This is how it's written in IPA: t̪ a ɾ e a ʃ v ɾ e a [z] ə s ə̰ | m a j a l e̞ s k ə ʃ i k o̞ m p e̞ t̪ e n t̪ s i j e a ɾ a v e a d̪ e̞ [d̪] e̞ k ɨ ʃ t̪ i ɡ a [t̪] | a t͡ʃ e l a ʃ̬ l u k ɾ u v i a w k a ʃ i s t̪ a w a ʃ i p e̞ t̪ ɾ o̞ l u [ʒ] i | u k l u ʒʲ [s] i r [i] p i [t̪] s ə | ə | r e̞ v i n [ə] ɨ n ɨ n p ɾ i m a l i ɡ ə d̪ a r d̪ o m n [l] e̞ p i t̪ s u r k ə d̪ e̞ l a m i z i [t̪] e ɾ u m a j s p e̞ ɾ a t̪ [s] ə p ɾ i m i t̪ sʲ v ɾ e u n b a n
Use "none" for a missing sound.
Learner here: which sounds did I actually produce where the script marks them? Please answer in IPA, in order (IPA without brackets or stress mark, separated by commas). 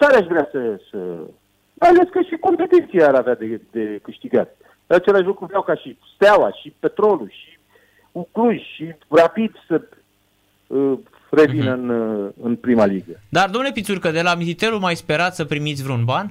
s, d̪, t̪, ʃ, ʃ, a, d̪, ə, l, t̪, s